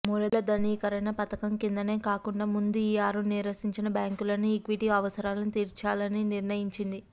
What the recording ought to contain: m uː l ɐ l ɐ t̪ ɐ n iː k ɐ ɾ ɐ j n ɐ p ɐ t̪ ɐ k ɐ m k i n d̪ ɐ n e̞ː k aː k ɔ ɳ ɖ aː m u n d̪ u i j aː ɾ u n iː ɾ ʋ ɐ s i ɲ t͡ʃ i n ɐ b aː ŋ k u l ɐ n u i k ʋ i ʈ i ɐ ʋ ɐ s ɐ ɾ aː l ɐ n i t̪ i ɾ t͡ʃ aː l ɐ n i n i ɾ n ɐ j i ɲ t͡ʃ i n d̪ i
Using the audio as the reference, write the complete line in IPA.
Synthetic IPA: m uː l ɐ l ɐ d̪ ɐ n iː k ɐ ɾ ɐ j n ɐ p ɐ t̪ ɐ k ɐ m k i n d̪ ɐ n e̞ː k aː k u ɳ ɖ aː m u n d̪ u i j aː ɾ u n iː ɾ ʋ ɐ s i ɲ t͡ʃ i n ɐ b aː ŋ k u l ɐ n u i k ʋ i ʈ i ɐ ʋ ɐ s ɐ ɾ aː l ɐ n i t̪ iː ɾ t͡ʃ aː l ɐ n i n i ɾ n ɐ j i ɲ t͡ʃ i n d̪ i